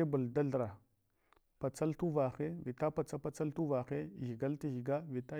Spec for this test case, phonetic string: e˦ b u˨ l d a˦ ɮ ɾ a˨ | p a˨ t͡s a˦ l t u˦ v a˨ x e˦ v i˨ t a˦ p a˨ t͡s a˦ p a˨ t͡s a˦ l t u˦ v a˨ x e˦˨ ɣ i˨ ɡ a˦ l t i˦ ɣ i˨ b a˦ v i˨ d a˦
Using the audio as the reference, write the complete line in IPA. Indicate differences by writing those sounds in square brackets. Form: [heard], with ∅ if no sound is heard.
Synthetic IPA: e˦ b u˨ l d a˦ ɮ ɾ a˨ | p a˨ t͡s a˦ l t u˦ v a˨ x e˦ v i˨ t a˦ p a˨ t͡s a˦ p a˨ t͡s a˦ l t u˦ v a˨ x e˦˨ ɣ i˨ ɡ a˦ l t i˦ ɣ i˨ [ɡ] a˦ v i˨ [t] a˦